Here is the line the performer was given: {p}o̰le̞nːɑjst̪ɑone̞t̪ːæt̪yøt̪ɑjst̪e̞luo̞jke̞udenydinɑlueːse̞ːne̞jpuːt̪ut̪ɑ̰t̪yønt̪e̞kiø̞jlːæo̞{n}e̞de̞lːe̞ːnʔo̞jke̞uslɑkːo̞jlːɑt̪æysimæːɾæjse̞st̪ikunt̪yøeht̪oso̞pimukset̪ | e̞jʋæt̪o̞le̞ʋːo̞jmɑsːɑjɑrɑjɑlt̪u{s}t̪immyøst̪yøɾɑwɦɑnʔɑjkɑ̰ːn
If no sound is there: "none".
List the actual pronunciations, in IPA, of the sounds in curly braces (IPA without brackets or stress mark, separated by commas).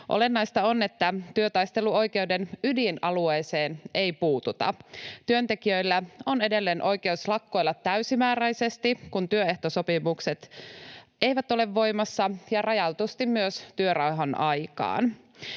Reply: ʔ, n, s